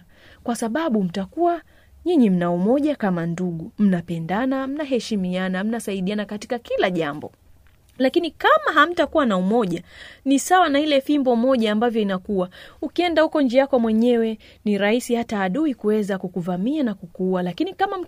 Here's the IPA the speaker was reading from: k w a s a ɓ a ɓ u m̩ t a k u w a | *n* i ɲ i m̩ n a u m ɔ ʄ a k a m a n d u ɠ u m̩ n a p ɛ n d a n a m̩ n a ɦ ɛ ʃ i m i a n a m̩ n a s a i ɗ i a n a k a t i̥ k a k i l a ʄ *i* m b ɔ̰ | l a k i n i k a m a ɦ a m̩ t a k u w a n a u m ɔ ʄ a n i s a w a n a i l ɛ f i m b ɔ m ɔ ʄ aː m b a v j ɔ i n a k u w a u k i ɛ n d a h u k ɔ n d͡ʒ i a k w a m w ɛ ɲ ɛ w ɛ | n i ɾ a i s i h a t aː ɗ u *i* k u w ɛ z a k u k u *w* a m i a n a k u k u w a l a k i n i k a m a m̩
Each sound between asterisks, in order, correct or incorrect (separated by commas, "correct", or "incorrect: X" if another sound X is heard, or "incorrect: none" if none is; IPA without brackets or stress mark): incorrect: ɲ, incorrect: a, correct, incorrect: v